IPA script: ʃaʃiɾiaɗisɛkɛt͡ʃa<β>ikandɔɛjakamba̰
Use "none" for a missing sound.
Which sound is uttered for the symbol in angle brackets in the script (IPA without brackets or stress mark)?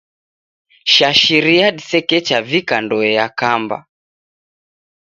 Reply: v